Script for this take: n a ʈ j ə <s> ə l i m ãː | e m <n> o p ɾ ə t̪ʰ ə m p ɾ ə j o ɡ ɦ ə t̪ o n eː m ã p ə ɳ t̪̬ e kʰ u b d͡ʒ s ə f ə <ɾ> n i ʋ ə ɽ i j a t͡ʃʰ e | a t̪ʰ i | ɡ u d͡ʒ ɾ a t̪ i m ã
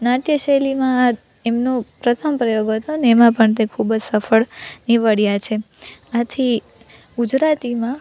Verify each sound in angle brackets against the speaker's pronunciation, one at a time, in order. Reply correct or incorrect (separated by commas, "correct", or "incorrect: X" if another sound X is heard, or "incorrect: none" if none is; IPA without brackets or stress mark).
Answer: incorrect: ʃ, correct, incorrect: ɭ